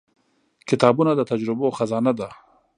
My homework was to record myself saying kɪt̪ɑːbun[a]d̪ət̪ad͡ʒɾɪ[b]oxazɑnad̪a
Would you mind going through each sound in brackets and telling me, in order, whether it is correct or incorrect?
correct, correct

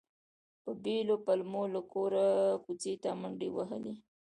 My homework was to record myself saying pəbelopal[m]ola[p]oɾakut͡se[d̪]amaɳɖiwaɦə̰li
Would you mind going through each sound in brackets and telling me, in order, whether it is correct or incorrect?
correct, incorrect: k, incorrect: t̪

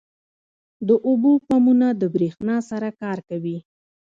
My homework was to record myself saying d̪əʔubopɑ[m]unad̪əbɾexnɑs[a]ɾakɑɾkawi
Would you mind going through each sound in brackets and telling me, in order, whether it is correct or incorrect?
correct, correct

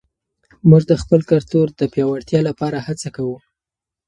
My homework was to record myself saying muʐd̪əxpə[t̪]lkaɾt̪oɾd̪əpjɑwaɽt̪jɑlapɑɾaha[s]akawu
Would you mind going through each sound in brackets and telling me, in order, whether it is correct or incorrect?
incorrect: none, incorrect: t͡s

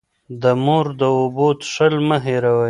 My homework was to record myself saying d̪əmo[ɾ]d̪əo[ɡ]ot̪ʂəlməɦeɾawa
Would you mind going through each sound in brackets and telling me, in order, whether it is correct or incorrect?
correct, incorrect: b

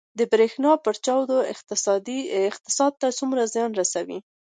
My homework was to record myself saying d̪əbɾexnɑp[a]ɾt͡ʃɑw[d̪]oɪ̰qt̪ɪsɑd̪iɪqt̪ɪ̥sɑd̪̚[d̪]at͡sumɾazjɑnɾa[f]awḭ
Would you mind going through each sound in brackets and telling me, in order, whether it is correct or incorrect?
incorrect: ə, correct, incorrect: t̪, incorrect: s

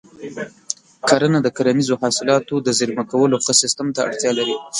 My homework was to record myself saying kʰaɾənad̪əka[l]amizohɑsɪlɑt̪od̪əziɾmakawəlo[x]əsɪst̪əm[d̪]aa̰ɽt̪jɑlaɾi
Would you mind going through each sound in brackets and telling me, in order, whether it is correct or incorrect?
incorrect: ɾ, correct, incorrect: t̪

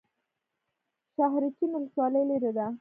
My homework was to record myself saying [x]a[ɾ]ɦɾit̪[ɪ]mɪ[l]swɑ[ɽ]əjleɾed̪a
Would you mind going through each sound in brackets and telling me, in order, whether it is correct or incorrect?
incorrect: ʃ, incorrect: none, incorrect: i, correct, incorrect: l

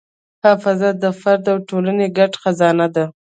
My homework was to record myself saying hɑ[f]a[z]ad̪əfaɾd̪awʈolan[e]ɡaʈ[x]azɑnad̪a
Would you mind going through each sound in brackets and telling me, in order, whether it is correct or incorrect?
correct, correct, correct, correct

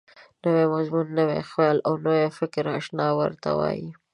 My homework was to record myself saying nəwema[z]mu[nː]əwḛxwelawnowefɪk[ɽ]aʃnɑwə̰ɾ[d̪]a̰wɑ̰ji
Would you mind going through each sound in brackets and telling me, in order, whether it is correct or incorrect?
correct, correct, incorrect: ɾ, incorrect: t̪

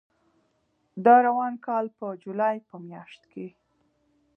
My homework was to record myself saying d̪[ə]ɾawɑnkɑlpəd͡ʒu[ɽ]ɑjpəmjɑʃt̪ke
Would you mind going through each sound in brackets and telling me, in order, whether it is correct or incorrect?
incorrect: ɑ, incorrect: l

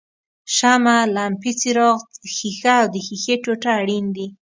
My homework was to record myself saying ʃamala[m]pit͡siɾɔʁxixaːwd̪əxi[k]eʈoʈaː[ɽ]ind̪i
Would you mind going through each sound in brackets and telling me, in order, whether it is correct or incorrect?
correct, incorrect: x, correct

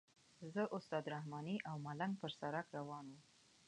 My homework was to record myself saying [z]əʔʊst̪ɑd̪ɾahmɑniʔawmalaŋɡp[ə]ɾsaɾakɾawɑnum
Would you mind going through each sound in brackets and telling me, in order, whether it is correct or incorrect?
correct, correct

